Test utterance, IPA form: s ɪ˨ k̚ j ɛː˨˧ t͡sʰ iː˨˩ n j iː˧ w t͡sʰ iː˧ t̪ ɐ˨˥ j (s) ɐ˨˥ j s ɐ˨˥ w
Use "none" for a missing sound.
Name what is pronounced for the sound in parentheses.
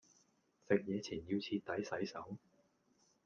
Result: s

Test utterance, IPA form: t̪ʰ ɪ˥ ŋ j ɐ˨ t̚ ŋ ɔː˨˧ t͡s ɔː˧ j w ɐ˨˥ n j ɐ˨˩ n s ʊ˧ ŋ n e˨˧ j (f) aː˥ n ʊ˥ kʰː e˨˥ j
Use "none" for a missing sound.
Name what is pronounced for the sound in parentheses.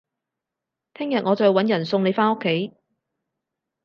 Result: f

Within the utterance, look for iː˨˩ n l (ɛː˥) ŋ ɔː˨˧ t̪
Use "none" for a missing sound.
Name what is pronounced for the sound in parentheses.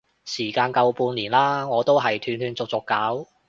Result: aː˥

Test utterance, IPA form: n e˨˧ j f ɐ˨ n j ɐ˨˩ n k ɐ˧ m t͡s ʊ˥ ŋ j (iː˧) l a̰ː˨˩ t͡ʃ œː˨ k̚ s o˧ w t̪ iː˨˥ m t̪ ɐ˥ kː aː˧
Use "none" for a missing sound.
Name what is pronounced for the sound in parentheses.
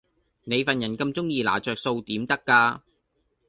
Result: iː˧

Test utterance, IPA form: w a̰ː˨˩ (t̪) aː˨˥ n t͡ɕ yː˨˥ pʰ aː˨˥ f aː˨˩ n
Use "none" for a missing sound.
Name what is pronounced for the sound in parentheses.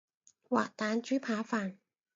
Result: t̪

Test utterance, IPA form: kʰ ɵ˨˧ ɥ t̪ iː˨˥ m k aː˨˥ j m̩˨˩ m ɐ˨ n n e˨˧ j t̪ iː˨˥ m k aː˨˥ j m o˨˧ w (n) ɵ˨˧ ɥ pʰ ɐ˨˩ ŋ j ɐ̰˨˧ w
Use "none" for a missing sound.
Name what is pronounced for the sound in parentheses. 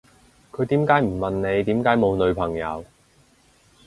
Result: n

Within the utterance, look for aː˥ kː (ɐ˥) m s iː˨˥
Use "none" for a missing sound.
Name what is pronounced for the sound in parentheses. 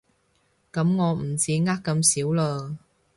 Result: ɐ˧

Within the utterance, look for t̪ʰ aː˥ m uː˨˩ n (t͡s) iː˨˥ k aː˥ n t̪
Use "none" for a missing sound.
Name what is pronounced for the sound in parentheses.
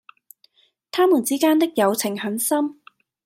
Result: t͡s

